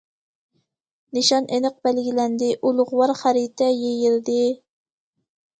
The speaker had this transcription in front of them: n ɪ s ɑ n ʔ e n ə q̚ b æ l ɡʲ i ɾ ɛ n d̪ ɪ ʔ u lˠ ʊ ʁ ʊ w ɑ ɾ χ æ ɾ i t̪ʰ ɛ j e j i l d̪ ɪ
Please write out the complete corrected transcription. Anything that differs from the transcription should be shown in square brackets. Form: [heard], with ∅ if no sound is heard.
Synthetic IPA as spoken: n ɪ [ʃ] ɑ n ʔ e n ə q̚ b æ l ɡʲ i [l] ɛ n d̪ ɪ ʔ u lˠ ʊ ʁ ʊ w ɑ ɾ χ æ ɾ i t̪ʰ ɛ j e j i l d̪ ɪ